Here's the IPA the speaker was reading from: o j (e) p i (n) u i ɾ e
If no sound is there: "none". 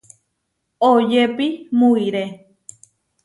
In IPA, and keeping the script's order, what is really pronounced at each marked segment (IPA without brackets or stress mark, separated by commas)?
e, m